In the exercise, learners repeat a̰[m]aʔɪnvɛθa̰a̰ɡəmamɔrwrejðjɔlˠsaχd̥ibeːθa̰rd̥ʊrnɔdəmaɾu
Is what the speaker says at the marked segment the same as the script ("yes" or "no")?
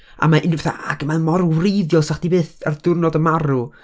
yes